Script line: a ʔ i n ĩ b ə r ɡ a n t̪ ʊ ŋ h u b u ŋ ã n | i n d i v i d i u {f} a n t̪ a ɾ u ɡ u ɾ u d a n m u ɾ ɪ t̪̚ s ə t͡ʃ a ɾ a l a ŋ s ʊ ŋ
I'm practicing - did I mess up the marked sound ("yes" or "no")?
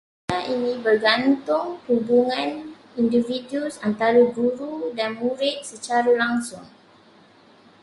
yes